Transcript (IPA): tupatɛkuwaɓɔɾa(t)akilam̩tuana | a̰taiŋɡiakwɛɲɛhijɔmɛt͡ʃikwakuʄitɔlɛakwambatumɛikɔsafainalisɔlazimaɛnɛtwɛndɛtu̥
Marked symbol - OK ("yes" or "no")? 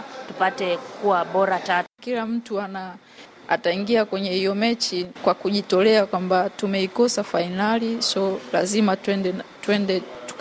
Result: yes